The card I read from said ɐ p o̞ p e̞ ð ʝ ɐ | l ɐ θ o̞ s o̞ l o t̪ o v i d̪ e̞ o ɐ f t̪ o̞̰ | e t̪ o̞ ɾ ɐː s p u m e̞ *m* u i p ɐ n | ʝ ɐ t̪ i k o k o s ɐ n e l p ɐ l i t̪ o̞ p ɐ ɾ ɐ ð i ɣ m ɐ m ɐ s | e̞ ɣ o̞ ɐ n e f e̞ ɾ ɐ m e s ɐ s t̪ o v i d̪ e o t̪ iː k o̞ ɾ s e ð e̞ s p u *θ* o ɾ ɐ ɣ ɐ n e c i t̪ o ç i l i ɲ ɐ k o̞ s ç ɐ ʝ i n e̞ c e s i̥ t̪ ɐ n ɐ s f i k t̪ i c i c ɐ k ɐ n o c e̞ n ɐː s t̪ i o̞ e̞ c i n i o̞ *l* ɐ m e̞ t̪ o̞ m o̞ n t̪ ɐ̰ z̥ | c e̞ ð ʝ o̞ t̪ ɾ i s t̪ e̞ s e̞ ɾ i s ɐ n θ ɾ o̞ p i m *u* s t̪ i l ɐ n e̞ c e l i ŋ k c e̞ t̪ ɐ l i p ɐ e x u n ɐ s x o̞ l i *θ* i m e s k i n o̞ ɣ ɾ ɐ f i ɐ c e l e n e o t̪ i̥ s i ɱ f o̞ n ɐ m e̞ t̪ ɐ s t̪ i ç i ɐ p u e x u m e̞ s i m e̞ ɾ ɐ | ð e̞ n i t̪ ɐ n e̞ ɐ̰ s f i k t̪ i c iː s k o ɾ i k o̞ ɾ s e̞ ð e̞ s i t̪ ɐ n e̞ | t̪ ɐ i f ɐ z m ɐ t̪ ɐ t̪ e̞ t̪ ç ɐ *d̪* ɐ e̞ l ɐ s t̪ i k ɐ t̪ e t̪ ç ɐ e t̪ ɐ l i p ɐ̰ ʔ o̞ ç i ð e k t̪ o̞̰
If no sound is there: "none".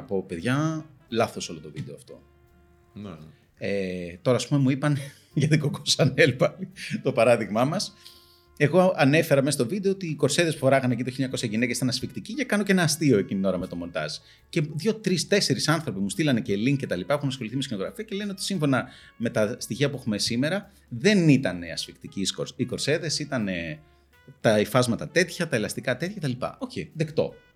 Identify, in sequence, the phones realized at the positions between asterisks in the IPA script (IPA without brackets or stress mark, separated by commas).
m, f, ɾ, u, θ, t̪